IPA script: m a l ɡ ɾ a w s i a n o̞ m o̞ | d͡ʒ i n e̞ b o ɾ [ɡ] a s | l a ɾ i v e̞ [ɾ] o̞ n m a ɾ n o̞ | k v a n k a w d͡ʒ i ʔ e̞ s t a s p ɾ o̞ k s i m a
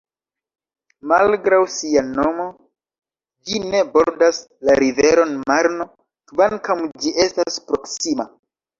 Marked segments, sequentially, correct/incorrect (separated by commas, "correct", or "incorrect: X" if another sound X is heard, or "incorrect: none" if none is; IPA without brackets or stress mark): incorrect: d, correct